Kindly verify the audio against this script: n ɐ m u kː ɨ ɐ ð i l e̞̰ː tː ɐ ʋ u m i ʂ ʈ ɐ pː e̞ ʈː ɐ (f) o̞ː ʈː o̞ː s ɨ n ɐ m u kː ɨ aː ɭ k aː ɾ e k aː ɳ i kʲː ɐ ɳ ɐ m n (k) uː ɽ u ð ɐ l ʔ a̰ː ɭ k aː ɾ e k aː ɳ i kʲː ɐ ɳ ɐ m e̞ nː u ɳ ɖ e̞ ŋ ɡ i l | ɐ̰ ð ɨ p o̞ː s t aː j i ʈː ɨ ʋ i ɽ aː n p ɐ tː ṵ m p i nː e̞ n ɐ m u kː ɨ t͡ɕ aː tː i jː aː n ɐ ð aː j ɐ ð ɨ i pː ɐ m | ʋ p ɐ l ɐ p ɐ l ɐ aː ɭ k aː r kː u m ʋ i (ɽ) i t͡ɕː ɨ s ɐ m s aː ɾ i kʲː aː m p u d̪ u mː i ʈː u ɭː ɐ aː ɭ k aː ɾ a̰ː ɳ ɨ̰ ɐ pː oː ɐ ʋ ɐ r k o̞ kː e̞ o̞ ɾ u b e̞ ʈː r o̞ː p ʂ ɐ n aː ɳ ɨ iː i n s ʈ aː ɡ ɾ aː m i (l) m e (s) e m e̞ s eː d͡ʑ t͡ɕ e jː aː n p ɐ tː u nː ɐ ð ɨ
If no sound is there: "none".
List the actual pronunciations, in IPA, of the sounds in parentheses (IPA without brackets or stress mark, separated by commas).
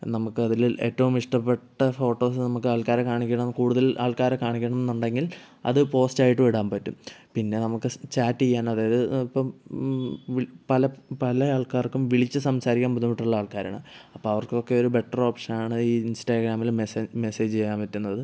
f, k, ɭ, l, s